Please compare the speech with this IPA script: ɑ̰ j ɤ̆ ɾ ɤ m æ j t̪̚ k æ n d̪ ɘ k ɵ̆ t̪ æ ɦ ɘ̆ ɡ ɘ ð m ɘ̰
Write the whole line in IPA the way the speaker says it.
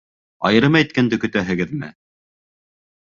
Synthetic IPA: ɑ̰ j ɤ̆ ɾ ɤ m æ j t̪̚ k æ n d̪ ɘ k ɵ̆ t̪ æ ɦ ɘ̆ ɡ ɘ ð m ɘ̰

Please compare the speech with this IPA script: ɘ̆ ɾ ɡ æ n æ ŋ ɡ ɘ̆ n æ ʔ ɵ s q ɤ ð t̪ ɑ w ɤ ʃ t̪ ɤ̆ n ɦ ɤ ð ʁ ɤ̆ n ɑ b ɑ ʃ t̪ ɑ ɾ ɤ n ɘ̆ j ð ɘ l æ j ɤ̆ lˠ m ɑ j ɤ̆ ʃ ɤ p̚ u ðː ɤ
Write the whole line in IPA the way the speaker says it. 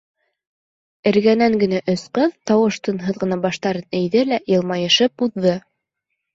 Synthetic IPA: ɘ̆ ɾ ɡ æ n æ ŋ ɡ ɘ̆ n æ ʔ ɵ s q ɤ ð t̪ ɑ w ɤ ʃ t̪ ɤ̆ n ɦ ɤ ð ʁ ɤ̆ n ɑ b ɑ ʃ t̪ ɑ ɾ ɤ n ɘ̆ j ð ɘ l æ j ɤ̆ lˠ m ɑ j ɤ̆ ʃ ɤ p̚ u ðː ɤ

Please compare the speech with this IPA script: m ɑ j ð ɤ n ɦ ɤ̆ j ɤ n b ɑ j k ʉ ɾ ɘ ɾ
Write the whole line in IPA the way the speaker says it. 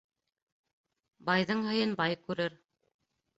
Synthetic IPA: b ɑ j ð ɤ ɴ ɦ ɤ̆ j ɤ n b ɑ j k ʉ ɾ ɘ ɾ

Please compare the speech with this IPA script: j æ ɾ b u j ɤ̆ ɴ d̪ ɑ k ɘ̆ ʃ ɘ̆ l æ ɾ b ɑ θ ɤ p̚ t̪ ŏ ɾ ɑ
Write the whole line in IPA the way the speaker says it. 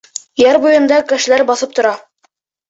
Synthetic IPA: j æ ɾ b u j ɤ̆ n d̪ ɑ k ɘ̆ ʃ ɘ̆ l æ ɾ b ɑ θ ɤ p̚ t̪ ŏ ɾ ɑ

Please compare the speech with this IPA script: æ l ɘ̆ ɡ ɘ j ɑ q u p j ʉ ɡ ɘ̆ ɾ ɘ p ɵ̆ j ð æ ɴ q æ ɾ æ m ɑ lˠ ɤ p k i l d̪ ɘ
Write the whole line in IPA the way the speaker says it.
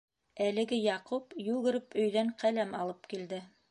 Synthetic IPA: æ l ɘ̆ ɡ ɘ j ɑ q u p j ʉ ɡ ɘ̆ ɾ ɘ p ɵ̆ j ð æ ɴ q æ l æ m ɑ lˠ ɤ p k i l d̪ ɘ

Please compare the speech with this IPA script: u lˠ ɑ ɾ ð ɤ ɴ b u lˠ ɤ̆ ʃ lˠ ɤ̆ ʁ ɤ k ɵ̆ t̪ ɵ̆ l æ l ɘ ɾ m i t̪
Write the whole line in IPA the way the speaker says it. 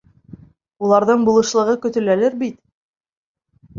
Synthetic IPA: u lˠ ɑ ɾ ð ɤ ɴ b u lˠ ɤ̆ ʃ lˠ ɤ̆ ʁ ɤ k ɵ̆ t̪ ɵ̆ l æ l ɘ ɾ b i t̪

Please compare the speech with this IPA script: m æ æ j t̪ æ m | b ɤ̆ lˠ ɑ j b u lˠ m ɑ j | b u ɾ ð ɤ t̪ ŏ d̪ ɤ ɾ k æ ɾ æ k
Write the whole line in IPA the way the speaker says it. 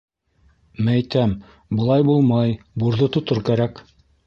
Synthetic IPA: m æ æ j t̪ æ m | b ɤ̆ lˠ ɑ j b u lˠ m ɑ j | b u ɾ ð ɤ t̪ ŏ t̪ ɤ ɾ k æ ɾ æ k

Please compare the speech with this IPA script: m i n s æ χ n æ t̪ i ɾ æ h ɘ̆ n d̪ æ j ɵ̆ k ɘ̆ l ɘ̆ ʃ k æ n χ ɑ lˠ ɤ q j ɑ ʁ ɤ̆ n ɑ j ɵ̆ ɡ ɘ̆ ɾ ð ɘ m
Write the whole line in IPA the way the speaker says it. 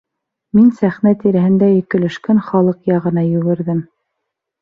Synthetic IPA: m i n s æ χ n æ t̪ i ɾ æ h ɘ̆ n d̪ æ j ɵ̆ k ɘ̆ l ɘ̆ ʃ k æ n χ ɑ lˠ ɤ q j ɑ ʁ ɤ̆ n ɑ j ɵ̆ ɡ ɘ̆ ɾ ð ɘ m

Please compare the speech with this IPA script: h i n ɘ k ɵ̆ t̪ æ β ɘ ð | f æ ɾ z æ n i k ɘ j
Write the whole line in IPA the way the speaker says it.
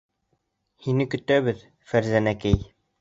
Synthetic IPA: h i n ɘ k ɵ̆ t̪ æ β ɘ ð | f æ ɾ z æ n æ k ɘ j

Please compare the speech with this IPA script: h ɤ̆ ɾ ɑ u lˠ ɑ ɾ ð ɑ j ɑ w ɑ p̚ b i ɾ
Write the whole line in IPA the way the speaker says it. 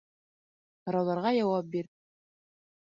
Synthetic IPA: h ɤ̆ ɾ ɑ w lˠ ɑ ɾ ʁ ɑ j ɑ w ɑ p̚ b i ɾ

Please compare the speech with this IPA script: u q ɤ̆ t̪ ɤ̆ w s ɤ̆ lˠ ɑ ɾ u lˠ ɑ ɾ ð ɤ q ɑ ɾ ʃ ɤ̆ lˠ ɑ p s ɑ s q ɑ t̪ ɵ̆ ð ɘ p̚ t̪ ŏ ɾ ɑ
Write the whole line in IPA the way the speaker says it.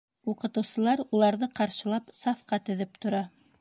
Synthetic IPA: u q ɤ̆ t̪ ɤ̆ w s ɤ̆ lˠ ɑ ɾ u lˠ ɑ ɾ ð ɤ q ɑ ɾ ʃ ɤ̆ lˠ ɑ p s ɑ f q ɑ t̪ ɵ̆ ð ɘ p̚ t̪ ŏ ɾ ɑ

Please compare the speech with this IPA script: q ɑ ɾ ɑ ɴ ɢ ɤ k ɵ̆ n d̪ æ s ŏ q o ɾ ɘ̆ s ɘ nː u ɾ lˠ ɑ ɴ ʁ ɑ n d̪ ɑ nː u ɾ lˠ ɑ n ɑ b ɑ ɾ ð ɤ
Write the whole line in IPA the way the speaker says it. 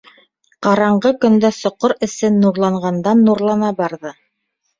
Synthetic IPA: q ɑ ɾ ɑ ɴ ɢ ɤ k ɵ̆ n d̪ æ s ŏ q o ɾ ɘ̆ s ɘ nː u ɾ lˠ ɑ ɴ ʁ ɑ n d̪ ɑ nː u ɾ lˠ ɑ n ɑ b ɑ ɾ ð ɤ

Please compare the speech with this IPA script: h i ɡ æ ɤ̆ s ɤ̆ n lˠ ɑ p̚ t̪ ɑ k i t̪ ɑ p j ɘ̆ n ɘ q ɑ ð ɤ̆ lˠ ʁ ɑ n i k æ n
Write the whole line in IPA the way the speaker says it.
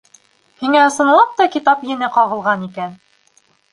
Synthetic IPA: h i ŋ æ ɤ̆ s ɤ̆ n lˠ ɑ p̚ t̪ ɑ k i t̪ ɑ p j ɘ̆ n ɘ q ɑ ʁ ɤ̆ lˠ ʁ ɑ n i k æ n

